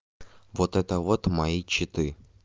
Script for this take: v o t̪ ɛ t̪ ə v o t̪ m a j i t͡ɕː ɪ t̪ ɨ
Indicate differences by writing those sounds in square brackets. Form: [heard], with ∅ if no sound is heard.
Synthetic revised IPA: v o t̪ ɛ t̪ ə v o t̪ m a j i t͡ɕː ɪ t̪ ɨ